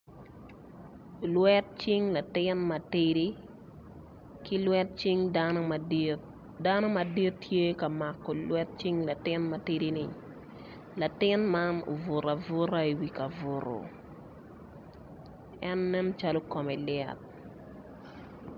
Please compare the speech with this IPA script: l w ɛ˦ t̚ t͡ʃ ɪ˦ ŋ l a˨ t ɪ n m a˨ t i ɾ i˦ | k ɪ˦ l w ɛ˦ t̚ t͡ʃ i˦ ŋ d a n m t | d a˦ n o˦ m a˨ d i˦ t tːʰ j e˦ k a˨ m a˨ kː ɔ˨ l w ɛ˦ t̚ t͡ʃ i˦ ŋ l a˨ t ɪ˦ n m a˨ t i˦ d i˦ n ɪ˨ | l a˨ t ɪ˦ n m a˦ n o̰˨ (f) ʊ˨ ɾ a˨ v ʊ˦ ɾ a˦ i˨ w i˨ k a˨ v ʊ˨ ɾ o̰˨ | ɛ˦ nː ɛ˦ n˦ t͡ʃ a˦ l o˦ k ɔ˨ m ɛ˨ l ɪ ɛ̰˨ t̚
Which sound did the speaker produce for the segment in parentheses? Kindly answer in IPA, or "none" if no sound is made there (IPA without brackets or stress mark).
v